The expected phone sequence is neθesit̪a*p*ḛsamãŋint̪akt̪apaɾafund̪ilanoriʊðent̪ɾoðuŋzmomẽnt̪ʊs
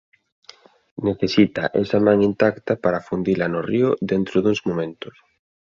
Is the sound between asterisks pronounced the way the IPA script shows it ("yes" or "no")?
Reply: no